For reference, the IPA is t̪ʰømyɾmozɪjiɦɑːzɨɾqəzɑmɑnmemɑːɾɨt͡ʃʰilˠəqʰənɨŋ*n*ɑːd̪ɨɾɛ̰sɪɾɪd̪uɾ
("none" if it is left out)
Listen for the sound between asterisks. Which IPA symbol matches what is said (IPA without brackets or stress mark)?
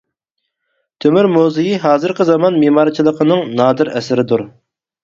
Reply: n